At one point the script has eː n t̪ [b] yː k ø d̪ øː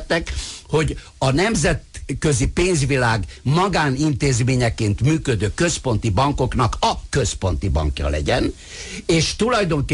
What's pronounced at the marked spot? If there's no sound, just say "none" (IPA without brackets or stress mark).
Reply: m